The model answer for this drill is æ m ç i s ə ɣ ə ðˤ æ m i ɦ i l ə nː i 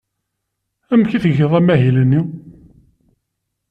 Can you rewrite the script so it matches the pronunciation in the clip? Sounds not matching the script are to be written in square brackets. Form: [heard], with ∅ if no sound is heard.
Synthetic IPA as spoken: æ m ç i [θ] ə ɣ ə ðˤ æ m [æ] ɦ i l ə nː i